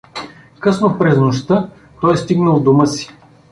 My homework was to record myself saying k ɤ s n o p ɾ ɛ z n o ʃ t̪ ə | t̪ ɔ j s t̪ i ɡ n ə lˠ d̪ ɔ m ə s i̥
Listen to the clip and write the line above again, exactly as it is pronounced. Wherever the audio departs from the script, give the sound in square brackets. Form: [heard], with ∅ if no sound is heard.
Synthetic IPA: k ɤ s n o p ɾ ɛ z n o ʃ t̪ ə | t̪ ɔ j s t̪ i ɡ n ə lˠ d̪ [u] m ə s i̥